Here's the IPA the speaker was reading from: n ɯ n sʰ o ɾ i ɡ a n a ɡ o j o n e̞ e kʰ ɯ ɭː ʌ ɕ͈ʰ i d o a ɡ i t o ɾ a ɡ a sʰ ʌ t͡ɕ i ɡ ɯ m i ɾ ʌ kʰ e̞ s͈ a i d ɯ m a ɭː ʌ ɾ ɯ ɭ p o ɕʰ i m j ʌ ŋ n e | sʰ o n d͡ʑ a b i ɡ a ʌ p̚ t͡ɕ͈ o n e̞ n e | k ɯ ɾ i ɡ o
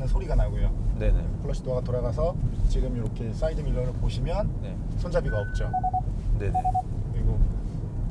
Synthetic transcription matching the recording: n ɯ n sʰ o ɾ i ɡ a n a ɡ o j o n e̞ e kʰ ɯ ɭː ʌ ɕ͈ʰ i d o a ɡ a t o ɾ a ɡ a sʰ ʌ t͡ɕ i ɡ ɯ m i ɾ ʌ kʰ e̞ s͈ a i d ɯ m i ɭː ʌ ɾ ɯ ɭ p o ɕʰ i m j ʌ n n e | sʰ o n d͡ʑ a b i ɡ a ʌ p̚ t͡ɕ͈ o n e̞ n e | k ɯ ɾ i ɡ o